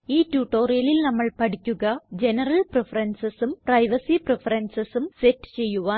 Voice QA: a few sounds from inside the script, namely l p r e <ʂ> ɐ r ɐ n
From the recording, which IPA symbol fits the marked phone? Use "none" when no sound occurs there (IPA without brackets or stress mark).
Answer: f